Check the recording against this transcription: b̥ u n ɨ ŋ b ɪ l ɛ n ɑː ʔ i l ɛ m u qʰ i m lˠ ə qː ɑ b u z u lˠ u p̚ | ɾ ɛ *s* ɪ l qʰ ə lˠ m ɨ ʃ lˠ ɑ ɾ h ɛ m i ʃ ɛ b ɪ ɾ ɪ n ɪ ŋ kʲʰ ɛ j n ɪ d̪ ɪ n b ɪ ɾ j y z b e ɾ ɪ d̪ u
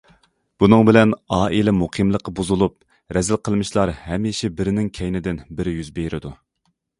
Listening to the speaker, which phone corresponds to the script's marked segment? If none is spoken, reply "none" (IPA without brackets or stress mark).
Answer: z